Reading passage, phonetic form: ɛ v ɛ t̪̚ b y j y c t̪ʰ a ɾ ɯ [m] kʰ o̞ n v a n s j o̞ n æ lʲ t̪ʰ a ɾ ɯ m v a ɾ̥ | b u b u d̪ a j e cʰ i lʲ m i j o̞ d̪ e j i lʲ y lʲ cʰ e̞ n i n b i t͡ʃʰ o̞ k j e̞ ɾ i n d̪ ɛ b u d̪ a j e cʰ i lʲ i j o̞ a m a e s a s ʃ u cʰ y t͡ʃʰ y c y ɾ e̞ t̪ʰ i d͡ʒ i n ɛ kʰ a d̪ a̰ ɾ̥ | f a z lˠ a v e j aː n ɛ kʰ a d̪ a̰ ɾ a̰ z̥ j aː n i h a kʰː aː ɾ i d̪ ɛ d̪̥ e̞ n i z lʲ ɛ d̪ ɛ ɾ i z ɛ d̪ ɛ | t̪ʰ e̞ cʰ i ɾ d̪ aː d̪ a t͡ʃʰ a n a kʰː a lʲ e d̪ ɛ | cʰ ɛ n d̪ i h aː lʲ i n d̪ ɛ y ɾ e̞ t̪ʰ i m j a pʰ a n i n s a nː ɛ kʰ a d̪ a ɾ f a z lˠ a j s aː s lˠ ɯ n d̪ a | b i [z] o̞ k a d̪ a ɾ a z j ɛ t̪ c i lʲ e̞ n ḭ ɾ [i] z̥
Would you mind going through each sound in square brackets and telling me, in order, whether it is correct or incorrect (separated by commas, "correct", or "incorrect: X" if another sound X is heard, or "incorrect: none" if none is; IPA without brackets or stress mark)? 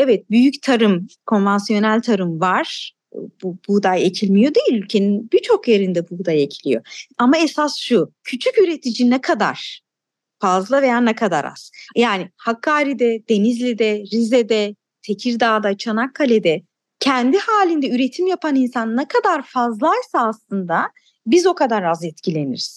correct, correct, correct